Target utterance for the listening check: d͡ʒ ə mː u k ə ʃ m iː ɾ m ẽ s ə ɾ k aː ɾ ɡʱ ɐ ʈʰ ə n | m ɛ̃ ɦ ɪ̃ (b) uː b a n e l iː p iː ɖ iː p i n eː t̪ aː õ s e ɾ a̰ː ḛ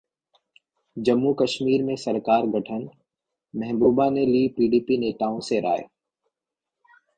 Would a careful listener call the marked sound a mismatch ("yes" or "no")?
no